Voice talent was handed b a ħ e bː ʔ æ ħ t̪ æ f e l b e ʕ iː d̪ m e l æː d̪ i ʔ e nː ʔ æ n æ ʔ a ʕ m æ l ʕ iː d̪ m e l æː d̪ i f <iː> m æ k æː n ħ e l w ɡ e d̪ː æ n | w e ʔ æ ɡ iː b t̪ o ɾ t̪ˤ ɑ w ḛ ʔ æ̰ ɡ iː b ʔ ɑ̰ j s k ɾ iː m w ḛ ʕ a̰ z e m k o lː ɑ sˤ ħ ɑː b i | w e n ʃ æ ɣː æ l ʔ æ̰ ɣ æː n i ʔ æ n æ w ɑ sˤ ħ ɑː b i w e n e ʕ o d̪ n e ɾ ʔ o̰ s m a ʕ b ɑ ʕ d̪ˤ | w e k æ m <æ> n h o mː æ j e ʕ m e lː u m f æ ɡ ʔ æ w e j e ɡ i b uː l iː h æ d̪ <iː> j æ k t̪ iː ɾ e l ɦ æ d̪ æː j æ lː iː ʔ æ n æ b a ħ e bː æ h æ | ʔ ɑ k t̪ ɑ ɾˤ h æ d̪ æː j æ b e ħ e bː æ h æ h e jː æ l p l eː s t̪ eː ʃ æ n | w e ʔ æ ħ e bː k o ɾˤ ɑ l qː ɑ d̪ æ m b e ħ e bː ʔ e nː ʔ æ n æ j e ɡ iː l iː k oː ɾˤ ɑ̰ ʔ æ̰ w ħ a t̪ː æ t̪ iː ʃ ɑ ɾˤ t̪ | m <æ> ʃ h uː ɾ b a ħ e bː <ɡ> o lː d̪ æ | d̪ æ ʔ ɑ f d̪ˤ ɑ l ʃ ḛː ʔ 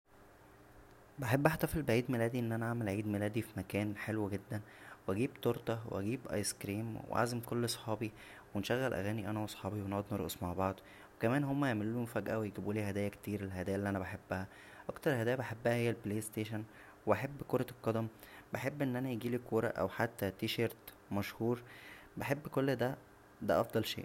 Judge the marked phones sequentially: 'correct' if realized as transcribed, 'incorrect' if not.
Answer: incorrect: i, incorrect: æː, incorrect: æː, correct, incorrect: k

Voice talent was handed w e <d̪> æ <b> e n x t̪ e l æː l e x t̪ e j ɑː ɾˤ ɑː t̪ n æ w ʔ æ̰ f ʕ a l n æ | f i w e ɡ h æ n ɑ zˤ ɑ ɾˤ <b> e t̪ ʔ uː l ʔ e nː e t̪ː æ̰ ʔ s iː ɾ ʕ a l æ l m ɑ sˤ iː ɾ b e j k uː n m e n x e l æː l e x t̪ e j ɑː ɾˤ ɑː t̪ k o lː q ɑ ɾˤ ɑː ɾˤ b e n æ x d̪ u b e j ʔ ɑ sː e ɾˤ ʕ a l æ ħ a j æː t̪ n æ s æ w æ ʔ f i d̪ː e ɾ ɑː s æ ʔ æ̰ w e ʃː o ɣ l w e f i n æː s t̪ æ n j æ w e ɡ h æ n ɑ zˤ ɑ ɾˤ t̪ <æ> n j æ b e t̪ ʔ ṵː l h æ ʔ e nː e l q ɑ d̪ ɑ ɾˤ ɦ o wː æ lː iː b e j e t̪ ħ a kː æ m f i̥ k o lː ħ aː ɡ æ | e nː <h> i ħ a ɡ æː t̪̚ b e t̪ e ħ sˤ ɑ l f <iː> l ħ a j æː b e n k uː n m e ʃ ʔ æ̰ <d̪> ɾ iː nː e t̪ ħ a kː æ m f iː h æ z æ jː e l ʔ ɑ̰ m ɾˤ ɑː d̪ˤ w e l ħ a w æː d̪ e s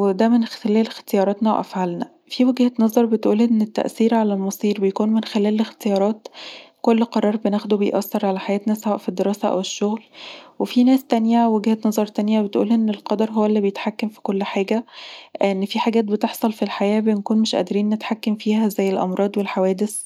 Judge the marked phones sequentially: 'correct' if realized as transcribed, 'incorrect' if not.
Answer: correct, incorrect: m, correct, correct, incorrect: f, incorrect: i, correct

